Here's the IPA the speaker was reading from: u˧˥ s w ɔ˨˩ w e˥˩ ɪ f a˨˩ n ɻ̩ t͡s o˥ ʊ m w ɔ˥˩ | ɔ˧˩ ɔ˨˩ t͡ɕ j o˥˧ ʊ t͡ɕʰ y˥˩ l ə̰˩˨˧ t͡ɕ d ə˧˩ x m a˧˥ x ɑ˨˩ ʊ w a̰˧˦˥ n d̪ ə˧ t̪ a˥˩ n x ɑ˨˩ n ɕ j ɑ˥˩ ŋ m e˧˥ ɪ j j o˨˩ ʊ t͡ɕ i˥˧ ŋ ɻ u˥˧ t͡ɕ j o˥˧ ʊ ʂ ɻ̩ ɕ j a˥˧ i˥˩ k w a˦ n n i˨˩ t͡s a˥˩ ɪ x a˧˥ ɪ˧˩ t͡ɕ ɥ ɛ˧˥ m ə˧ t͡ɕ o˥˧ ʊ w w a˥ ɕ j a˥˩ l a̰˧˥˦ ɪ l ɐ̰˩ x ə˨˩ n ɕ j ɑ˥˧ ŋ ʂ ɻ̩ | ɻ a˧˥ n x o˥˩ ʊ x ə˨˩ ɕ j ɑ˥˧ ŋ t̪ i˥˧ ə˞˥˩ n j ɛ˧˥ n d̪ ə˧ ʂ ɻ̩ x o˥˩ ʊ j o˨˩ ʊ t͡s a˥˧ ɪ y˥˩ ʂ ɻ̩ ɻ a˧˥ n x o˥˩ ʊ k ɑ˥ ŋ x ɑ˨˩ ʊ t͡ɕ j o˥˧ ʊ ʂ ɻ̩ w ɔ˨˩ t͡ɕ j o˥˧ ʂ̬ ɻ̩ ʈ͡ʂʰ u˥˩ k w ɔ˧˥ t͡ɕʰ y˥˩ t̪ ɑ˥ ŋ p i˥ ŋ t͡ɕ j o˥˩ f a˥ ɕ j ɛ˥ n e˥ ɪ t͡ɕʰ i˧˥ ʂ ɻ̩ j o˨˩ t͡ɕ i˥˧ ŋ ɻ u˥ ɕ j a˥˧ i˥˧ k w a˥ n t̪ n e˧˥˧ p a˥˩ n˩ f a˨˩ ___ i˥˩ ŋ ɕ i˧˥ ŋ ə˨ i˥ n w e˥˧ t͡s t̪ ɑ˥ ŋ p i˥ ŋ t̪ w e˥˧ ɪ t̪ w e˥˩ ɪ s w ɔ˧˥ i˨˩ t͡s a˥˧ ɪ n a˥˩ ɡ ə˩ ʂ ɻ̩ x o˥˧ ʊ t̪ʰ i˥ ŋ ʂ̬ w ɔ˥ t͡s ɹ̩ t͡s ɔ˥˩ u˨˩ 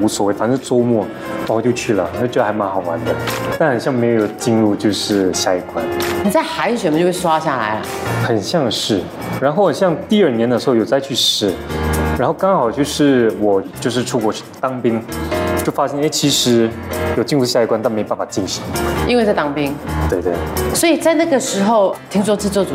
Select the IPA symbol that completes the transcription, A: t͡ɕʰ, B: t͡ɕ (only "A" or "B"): B